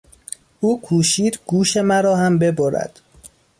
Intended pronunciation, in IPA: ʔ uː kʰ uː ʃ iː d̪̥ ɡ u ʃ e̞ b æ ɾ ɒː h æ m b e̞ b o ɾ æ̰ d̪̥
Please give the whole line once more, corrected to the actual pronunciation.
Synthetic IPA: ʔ uː kʰ uː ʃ iː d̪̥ ɡ uː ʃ e̞ m æ ɾ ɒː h æ m b e̞ b o ɾ æ̰ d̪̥